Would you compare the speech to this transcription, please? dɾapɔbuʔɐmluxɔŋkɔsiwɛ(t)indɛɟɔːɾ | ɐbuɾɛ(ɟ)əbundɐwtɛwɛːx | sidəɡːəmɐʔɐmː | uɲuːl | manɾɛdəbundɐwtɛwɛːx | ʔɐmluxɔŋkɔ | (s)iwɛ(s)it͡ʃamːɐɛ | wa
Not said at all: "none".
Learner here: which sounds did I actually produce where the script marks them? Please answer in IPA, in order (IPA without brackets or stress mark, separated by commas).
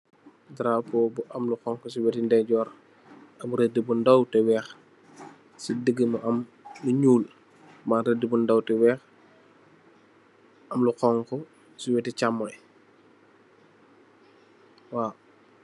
t, d, s, t